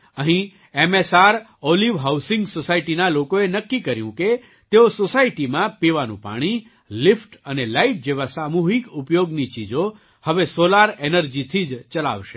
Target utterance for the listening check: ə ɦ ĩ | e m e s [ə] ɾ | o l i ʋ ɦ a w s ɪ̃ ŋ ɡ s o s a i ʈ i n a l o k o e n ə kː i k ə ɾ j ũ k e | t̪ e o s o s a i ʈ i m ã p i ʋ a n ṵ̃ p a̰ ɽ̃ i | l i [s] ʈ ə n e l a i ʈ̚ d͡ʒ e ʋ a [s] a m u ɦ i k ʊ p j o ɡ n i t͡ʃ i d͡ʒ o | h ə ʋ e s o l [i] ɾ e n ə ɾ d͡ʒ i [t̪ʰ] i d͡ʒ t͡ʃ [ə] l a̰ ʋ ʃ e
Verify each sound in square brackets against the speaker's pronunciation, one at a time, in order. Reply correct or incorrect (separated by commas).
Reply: incorrect, incorrect, correct, incorrect, correct, correct